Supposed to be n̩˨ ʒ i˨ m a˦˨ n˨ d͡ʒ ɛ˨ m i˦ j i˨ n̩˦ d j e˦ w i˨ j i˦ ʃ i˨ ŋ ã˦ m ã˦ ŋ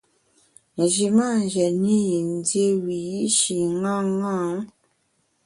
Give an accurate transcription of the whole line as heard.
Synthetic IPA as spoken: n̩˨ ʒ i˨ m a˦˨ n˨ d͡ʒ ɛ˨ n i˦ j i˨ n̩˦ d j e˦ w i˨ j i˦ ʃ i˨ ŋ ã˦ ŋ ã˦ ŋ